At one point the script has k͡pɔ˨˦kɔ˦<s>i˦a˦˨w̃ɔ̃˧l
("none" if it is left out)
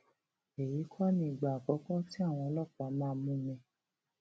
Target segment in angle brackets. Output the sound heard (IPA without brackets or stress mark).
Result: t